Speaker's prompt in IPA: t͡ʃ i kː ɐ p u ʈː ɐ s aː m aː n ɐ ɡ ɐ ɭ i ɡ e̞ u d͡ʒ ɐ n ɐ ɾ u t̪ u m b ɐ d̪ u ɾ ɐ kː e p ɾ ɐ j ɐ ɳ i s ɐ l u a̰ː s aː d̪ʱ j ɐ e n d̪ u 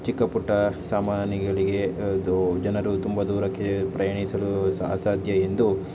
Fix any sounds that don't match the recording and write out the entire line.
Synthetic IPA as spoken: t͡ʃ i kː ɐ p u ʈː ɐ s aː m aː n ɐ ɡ ɐ ɭ i ɡ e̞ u d͡ʒ ɐ n ɐ ɾ u t̪ u m b ɐ d̪ uː ɾ ɐ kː e p ɾ ɐ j ɐ ɳ i s ɐ l u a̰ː s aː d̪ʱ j ɐ e n d̪ u